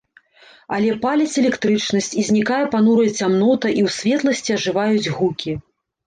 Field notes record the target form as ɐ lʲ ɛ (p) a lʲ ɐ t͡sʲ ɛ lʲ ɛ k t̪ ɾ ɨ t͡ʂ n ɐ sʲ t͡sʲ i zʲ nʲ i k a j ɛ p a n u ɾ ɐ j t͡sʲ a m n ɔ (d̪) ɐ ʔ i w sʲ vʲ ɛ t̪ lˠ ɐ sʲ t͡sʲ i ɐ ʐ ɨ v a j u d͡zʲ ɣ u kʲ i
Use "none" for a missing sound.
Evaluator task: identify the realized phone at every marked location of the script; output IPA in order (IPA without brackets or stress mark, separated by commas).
p, t̪